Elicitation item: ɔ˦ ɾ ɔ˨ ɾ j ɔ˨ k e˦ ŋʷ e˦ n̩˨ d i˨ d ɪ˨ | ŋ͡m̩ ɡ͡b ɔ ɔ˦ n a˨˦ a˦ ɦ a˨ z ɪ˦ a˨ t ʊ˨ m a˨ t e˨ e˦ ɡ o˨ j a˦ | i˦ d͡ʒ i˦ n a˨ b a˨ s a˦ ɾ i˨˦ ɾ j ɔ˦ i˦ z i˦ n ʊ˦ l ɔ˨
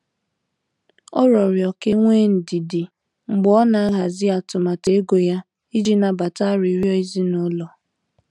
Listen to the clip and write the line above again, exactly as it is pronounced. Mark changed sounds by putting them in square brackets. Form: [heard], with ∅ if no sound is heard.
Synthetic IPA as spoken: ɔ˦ ɾ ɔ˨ ɾ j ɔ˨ k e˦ ŋʷ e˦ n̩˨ d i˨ d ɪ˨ | ŋ͡m̩ ɡ͡b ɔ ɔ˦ n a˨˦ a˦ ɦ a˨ z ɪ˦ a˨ t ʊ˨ m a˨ t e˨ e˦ ɡ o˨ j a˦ | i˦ d͡ʒ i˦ n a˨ b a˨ [t] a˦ ɾ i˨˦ ɾ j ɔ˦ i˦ z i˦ n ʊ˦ l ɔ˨